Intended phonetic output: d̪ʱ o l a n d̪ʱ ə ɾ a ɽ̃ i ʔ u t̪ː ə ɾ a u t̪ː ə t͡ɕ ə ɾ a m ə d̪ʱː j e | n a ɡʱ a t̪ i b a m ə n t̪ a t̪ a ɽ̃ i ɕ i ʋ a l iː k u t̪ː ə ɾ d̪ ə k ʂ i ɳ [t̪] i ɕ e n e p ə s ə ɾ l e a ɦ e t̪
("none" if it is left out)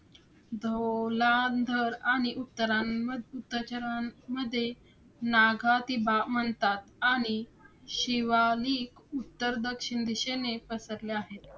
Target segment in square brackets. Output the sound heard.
d̪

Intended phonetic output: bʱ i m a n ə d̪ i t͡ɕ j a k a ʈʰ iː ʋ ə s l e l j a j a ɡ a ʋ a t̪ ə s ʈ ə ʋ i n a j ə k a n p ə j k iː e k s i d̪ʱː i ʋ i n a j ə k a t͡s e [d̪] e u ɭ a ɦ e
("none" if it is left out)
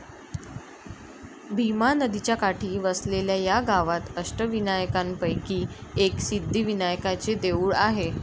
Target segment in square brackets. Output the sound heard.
d̪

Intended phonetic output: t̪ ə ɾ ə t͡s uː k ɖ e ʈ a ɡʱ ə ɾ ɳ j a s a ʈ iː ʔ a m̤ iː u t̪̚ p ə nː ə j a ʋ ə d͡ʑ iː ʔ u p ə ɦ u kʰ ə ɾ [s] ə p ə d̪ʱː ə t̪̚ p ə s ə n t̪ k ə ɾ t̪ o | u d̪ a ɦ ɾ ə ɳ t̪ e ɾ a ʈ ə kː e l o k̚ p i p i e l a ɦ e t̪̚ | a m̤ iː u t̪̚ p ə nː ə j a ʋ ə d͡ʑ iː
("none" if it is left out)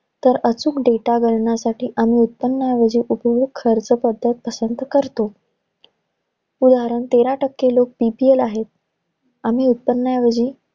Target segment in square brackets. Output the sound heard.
t͡s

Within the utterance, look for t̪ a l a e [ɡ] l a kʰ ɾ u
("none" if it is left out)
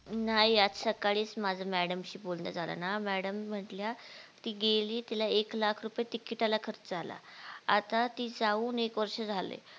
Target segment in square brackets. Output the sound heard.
k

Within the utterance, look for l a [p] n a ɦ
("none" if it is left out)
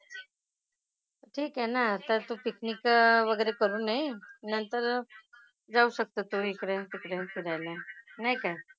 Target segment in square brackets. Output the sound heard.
none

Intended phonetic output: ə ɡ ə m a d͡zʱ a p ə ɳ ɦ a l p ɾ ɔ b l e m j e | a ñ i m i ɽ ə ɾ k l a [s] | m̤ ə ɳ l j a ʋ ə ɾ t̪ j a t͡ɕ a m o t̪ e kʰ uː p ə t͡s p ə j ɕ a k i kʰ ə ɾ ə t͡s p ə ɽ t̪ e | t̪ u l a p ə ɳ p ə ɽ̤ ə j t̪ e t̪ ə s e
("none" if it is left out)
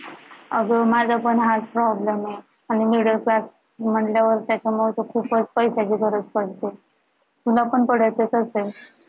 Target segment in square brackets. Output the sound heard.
s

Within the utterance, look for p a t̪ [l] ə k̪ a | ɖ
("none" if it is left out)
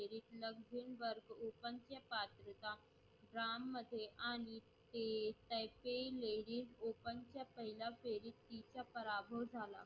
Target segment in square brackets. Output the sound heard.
ɾ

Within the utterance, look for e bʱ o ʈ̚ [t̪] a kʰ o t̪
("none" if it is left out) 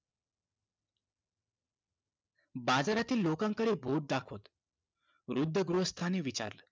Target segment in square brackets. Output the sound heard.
d̪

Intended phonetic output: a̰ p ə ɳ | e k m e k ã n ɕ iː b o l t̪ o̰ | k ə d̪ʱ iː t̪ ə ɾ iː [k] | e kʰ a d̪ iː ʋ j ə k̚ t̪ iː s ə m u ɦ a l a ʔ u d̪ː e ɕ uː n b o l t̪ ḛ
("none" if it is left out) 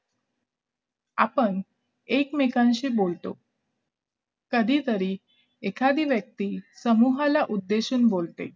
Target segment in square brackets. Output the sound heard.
none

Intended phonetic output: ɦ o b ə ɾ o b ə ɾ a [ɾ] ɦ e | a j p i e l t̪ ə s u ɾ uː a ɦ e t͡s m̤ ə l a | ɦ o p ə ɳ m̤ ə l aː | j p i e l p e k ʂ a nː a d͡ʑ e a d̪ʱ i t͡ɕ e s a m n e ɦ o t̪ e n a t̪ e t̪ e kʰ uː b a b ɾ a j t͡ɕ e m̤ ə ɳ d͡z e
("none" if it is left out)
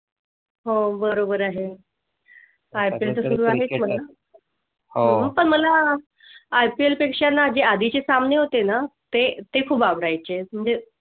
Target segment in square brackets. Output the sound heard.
none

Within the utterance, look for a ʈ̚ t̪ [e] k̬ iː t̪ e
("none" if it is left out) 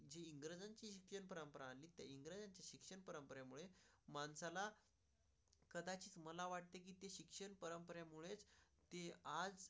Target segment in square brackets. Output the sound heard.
e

